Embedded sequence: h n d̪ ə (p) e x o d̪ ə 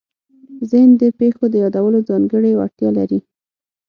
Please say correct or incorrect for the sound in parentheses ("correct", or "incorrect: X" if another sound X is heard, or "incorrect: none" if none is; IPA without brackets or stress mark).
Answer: correct